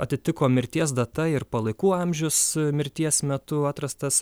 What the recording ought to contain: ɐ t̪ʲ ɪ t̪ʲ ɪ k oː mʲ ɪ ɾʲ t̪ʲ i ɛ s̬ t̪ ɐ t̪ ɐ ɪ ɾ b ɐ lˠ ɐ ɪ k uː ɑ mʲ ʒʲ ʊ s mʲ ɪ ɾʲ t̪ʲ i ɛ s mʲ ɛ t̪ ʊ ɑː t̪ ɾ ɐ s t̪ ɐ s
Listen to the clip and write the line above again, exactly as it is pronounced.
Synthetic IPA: ɐ t̪ʲ ɪ t̪ʲ ɪ k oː mʲ ɪ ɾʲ t̪ʲ i ɛ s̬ d̪ ɐ t̪ ɐ ɪ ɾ p ɐ lˠ ɐ ɪ k uː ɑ mʲ ʒʲ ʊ s mʲ ɪ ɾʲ t̪ʲ i ɛ s mʲ ɛ t̪ ʊ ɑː t̪ ɾ ɐ s t̪ ɐ s